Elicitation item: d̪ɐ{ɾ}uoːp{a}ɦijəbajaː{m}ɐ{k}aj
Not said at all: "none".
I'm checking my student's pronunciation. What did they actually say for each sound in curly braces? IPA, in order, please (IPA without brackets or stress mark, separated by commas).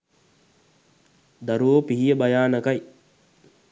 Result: ɾ, i, n, k